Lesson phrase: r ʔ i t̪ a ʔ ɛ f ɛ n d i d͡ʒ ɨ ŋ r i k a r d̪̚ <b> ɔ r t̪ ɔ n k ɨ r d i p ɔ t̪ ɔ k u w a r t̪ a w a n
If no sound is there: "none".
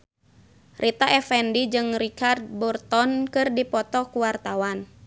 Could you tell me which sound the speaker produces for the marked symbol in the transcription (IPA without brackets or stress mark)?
b